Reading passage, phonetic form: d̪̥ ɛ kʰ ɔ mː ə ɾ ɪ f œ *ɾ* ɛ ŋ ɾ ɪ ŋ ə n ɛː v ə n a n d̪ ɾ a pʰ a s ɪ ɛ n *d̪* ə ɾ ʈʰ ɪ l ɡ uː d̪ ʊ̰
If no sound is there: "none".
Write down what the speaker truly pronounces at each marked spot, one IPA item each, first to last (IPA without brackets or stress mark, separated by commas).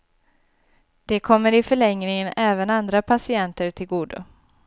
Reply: ɭ, t̪